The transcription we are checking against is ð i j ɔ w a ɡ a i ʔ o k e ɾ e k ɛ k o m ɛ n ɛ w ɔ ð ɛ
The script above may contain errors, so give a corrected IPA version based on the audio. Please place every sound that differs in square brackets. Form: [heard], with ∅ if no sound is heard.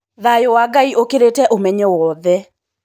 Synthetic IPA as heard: ð [a] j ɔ w a ɡ a i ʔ o k e ɾ e [t] ɛ [ʔ] o m ɛ [ɲ] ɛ w ɔ ð ɛ